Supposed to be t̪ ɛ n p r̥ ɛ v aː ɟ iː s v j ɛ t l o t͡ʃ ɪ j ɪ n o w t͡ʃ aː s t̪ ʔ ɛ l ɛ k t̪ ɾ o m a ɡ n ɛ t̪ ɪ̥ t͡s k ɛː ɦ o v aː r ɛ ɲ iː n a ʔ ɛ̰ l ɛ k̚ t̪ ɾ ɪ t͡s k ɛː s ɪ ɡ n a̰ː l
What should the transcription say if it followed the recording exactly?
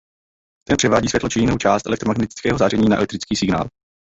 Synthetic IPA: t̪ ɛ n p r̥ ɛ v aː ɟ iː s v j ɛ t l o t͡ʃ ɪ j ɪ n o w t͡ʃ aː s t̪ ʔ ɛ l ɛ k t̪ ɾ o m a ɡ n ɛ t̪ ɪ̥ t͡s k ɛː ɦ o z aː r ɛ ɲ iː n a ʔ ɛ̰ l ɛ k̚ t̪ ɾ ɪ t͡s k iː s ɪ ɡ n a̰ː l